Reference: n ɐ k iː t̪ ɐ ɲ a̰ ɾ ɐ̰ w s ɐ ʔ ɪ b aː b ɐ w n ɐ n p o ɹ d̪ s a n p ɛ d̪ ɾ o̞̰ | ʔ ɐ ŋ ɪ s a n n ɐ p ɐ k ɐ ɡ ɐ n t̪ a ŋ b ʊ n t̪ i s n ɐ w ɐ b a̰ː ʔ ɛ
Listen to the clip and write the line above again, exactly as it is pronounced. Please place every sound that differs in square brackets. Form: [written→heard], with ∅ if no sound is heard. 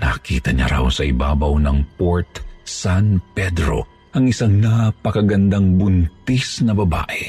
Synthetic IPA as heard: n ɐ k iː t̪ ɐ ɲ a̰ ɾ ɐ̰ w s ɐ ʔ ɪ b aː b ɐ w n ɐ [n→ŋ] p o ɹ [d̪→t̪] s a n p ɛ d̪ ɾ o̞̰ | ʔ ɐ ŋ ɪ s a [n→ŋ] n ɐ p ɐ k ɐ ɡ ɐ n [t̪→d̪] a ŋ b ʊ n t̪ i s n ɐ [w→b] ɐ b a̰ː ʔ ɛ